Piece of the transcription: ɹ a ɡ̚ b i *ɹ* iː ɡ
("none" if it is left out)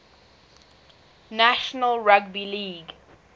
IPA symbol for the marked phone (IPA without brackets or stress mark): l